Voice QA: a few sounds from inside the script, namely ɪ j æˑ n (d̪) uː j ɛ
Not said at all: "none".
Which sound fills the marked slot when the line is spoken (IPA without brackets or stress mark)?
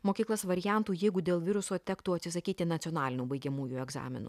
t̪